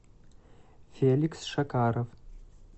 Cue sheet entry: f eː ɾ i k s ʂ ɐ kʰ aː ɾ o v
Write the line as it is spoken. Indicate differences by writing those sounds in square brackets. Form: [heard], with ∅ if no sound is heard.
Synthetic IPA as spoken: f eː [l] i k s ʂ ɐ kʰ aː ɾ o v